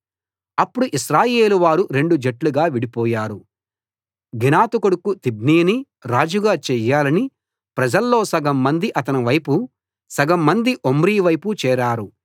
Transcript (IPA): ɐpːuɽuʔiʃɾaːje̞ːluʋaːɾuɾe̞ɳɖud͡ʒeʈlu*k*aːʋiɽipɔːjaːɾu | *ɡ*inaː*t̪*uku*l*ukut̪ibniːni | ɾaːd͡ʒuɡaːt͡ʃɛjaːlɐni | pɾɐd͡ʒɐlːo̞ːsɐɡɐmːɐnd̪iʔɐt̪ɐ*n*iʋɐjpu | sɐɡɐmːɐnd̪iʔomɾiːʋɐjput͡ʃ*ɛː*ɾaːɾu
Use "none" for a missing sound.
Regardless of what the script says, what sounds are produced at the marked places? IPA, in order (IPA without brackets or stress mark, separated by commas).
ɡ, ɡ, t̪, ɽ, n, ɛː